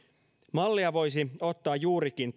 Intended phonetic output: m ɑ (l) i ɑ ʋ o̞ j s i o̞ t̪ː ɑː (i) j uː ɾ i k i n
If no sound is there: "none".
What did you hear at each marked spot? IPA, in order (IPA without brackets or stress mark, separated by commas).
lː, j